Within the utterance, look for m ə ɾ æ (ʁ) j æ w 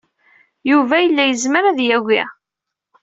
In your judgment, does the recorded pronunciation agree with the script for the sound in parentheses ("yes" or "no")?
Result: no